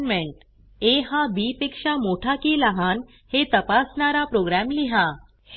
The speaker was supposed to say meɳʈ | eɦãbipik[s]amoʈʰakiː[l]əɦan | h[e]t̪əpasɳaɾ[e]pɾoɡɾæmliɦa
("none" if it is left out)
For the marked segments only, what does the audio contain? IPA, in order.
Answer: ʂ, l, e, a

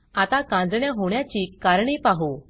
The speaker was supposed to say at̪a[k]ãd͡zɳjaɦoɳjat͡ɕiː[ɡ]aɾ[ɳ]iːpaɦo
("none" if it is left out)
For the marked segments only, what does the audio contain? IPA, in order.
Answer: k, k, ɳ

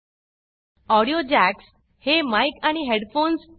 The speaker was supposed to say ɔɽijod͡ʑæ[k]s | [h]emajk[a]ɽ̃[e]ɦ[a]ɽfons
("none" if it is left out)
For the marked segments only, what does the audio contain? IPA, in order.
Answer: k, h, a, i, e

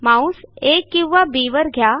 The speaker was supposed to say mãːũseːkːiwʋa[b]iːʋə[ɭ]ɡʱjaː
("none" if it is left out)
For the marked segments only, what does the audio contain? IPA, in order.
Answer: b, ɾ

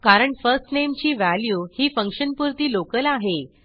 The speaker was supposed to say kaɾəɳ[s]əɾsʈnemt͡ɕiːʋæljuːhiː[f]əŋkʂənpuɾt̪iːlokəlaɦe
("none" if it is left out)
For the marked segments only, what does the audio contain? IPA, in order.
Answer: f, f

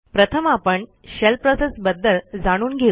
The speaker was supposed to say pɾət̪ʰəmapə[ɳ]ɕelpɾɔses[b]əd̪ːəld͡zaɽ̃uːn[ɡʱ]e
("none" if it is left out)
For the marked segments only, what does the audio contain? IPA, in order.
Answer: ɳ, b, ɡʱ

